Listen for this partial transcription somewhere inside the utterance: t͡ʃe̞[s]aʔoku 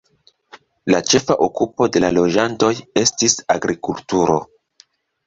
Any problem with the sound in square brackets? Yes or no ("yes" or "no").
yes